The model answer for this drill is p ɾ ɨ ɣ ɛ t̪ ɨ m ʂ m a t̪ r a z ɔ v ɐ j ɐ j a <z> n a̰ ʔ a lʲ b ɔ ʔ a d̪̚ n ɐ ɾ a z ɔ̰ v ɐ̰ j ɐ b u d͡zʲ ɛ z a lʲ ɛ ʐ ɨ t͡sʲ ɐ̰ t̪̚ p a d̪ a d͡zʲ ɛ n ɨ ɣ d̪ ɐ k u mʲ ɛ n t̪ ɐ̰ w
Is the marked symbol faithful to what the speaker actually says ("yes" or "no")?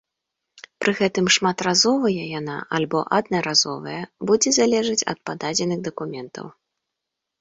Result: no